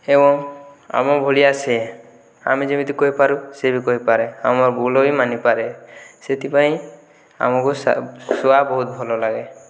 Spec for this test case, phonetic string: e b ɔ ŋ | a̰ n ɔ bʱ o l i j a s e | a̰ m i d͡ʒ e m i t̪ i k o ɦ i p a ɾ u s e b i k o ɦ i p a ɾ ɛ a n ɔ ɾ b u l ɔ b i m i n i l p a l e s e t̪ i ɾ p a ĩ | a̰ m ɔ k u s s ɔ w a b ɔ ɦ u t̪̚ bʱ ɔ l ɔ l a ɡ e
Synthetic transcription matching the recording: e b ɔ ŋ | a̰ m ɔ bʱ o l i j a s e | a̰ m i d͡ʒ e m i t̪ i k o ɦ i p a ɾ u s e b i k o ɦ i p a ɾ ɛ a m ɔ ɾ b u l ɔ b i m a n i p a ɾ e s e t̪ i p a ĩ | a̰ m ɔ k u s s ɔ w a b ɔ ɦ u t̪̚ bʱ ɔ l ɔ l a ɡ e